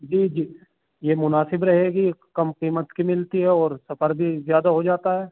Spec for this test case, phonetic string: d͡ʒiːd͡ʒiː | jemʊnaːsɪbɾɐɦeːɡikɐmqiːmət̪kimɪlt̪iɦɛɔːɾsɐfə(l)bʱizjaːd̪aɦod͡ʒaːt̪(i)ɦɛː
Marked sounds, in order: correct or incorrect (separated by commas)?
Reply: incorrect, incorrect